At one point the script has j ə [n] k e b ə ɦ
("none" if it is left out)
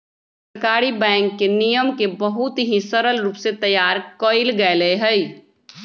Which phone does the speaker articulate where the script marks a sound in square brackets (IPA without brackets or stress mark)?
m